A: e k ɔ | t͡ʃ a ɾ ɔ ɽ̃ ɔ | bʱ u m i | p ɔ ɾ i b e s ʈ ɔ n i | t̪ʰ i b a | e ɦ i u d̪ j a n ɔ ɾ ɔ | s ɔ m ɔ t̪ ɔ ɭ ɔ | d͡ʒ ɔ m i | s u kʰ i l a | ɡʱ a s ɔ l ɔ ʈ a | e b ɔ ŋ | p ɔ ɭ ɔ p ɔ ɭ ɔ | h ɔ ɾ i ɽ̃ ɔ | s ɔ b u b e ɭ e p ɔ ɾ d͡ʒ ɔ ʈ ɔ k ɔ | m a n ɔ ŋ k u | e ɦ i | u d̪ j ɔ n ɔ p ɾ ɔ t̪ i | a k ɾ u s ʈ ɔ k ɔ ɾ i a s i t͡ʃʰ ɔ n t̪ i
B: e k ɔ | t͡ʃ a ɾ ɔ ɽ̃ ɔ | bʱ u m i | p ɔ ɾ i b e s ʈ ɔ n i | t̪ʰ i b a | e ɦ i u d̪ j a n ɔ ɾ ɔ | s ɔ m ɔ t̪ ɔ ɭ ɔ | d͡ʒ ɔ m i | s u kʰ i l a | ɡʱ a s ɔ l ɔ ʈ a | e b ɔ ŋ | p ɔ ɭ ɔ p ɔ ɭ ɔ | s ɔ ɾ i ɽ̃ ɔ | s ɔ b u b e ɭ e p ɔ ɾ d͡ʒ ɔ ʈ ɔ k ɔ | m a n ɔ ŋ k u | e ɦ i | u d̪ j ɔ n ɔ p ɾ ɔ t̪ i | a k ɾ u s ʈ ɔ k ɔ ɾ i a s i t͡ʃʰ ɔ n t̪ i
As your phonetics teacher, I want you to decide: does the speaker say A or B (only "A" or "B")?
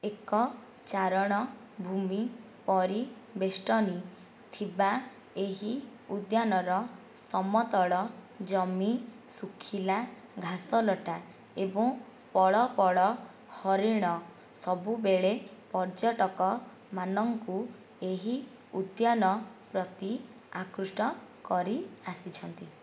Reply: A